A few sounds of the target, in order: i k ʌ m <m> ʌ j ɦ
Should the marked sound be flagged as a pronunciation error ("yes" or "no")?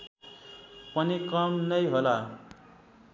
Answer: yes